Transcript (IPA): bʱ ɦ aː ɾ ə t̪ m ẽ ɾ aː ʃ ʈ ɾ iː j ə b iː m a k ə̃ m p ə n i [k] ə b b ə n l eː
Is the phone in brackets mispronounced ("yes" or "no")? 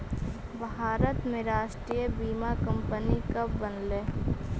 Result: no